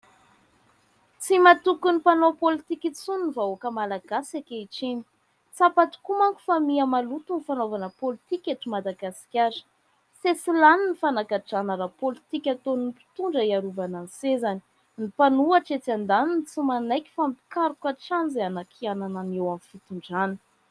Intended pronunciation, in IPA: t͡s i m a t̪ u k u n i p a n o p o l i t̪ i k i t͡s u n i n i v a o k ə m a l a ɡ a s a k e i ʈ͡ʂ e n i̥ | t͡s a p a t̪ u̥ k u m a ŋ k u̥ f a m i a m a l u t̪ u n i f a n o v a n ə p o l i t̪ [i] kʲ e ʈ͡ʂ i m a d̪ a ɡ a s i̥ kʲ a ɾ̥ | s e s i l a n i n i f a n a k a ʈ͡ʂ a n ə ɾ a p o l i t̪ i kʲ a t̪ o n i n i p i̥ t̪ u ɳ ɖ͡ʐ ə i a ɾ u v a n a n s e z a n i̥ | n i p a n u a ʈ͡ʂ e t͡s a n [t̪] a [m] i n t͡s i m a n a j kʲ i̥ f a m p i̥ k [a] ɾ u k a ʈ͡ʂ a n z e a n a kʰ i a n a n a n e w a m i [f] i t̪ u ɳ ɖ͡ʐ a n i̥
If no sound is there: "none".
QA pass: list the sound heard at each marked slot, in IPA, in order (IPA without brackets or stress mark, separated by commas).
i, d̪, n, a, f